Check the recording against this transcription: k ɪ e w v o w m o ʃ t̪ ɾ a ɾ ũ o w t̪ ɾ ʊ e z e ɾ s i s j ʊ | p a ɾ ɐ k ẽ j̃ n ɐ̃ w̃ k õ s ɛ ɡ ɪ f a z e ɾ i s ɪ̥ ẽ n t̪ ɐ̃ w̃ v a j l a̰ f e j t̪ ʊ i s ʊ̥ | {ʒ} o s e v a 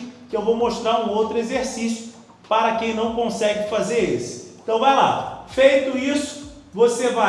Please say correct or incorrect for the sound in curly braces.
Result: incorrect